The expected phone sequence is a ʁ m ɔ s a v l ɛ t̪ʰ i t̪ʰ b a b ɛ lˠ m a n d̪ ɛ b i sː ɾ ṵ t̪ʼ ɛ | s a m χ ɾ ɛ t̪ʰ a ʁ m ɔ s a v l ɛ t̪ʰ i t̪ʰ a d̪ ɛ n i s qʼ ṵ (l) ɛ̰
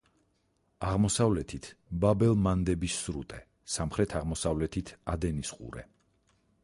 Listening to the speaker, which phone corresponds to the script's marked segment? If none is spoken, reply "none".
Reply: ɾ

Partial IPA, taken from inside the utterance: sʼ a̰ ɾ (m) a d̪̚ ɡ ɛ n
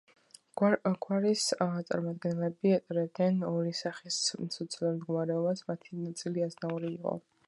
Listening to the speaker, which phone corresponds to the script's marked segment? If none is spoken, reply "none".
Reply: m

